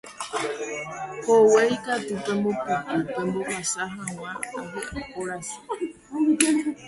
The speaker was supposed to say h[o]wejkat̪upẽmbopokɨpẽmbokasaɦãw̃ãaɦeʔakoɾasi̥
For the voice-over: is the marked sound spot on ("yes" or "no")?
yes